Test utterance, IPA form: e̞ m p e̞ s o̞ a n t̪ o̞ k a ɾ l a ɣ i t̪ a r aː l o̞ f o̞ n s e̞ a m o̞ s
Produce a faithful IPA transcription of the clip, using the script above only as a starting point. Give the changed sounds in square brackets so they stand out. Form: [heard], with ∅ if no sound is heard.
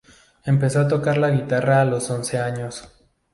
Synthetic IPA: e̞ m p e̞ s o̞ a [∅] t̪ o̞ k a ɾ l a ɣ i t̪ a r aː l o̞ [s] o̞ n s e̞ a [ɲ] o̞ s